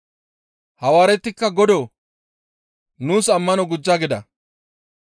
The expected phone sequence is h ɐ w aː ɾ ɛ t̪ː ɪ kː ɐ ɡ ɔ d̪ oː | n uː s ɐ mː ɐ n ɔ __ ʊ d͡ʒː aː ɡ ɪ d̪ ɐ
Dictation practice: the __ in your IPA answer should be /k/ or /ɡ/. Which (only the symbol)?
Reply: ɡ